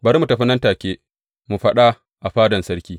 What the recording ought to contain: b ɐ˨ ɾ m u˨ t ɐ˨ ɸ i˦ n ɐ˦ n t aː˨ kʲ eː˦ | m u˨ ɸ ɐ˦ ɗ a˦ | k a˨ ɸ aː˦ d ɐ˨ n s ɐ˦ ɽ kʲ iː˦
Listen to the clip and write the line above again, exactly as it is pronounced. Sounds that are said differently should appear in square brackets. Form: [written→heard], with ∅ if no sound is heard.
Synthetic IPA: b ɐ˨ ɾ m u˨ t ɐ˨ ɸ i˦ n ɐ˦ n t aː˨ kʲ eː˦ | m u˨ ɸ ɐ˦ ɗ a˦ | [k→ʔ] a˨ ɸ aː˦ d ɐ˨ n s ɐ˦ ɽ kʲ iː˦

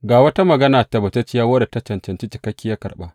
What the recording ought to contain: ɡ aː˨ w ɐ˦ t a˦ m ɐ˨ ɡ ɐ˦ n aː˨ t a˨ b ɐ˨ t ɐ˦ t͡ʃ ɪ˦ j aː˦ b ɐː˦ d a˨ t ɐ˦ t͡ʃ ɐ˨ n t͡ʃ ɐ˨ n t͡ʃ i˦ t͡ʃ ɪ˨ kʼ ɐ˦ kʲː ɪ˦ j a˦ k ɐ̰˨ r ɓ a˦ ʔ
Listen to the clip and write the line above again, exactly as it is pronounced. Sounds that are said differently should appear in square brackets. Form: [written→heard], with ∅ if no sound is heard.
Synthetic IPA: ɡ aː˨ w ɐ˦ t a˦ m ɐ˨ ɡ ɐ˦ n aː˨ t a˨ b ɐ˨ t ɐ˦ t͡ʃ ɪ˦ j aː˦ [b→w] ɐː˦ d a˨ t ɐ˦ t͡ʃ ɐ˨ n t͡ʃ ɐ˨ n t͡ʃ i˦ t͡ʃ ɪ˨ [kʼ→k] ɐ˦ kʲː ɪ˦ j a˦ k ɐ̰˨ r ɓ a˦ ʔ

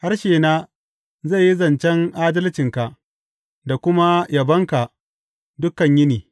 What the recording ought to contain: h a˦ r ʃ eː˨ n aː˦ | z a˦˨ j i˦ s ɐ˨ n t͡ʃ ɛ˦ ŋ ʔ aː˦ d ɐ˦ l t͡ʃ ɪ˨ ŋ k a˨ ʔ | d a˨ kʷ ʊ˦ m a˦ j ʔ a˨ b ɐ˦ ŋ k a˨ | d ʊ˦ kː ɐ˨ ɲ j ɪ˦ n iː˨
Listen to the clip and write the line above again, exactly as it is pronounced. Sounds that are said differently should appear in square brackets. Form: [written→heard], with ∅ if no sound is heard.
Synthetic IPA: h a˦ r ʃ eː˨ n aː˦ | z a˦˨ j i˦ [s→z] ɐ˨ n t͡ʃ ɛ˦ ŋ ʔ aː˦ d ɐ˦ l t͡ʃ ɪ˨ ŋ k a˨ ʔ | d a˨ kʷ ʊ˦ m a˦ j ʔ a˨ b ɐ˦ ŋ k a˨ | d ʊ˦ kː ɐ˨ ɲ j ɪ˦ n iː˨

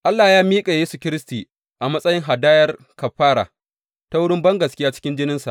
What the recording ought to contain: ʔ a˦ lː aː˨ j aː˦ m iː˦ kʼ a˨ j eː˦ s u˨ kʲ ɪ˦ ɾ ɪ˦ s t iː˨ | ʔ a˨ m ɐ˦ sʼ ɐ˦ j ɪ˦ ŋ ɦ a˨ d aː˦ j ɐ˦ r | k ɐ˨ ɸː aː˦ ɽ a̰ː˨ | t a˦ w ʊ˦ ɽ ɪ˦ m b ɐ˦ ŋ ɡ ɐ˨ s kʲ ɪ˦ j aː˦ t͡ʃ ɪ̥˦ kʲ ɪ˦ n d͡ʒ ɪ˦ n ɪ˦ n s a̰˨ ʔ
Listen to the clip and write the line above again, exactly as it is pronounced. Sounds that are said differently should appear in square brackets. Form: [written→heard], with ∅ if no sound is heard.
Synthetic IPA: ʔ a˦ lː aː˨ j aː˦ m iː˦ kʼ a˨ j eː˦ s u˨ kʲ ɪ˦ ɾ ɪ˦ s t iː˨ | ʔ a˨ m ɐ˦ sʼ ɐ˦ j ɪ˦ ŋ ɦ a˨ d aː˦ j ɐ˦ r | k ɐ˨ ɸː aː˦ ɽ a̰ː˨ | t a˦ w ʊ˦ ɽ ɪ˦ m b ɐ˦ ŋ ɡ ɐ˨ s kʲ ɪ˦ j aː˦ t͡ʃ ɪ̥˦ kʲ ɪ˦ n d͡ʒ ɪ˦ n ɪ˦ n s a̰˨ ʔ

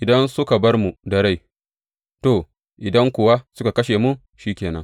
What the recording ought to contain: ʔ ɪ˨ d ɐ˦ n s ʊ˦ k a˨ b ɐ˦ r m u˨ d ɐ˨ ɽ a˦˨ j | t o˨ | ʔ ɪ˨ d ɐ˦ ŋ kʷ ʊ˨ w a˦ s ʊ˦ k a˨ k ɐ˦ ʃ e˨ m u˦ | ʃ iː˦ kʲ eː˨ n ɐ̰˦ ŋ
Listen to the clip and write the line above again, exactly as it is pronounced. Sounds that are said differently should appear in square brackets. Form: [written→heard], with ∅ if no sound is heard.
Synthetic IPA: ʔ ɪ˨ d ɐ˦ n s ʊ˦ k a˨ b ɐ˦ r m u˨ d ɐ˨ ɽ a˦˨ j | t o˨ | ʔ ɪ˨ d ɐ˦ ŋ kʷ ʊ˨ w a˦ s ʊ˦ k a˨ k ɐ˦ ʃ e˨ m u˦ | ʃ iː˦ kʲ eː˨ n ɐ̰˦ ŋ

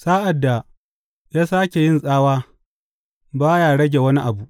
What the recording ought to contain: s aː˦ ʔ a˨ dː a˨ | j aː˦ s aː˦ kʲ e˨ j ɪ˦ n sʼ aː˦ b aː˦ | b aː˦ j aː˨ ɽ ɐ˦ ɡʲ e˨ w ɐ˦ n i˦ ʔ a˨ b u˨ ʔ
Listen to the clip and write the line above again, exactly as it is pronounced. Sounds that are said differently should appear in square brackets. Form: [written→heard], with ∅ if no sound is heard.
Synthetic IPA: s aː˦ ʔ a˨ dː a˨ | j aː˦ s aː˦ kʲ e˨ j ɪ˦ n sʼ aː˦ [b→w] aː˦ | b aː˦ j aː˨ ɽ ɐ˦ ɡʲ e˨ w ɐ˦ n i˦ ʔ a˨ b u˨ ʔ

